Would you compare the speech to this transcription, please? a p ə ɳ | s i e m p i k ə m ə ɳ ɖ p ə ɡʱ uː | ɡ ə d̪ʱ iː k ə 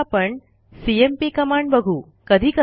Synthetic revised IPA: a p ə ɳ | s i e m p i k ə m a ɳ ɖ b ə ɡʱ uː | k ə d̪ʱ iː k ə